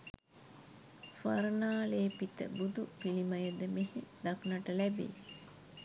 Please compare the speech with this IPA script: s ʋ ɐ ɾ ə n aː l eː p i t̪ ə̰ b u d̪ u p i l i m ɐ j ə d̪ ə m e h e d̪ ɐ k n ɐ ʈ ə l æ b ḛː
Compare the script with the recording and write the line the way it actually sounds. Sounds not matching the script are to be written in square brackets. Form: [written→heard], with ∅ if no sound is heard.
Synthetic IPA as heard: s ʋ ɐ ɾ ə n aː l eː p i t̪ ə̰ b u d̪ u p i l i m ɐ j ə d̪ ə m e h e d̪ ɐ k n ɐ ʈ ə l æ b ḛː